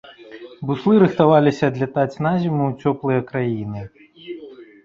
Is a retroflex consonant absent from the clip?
yes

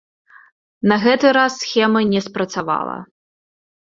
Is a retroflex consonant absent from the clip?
yes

